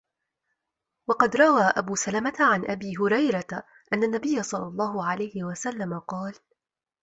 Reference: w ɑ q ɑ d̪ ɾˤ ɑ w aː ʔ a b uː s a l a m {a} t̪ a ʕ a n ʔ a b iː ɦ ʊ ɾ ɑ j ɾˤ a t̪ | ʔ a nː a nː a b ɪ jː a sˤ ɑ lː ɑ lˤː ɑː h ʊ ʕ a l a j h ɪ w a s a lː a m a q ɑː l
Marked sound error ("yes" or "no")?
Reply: no